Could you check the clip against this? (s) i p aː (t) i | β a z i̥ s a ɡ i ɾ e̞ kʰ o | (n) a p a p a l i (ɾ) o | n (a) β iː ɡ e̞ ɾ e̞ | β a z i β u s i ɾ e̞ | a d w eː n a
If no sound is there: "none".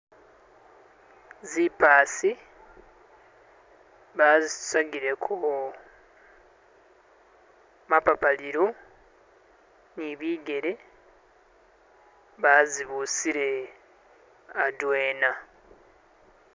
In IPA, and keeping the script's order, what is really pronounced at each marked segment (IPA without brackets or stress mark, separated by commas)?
z, s, m, ɾ, i